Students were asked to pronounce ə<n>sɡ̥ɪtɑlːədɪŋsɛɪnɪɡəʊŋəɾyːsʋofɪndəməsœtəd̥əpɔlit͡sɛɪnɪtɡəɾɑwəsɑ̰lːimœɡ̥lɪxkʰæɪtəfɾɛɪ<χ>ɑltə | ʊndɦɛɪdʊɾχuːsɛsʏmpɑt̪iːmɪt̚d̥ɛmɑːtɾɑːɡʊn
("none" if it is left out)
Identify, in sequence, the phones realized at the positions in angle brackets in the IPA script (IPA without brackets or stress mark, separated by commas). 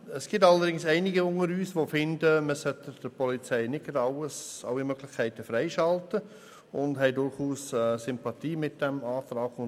none, ʃ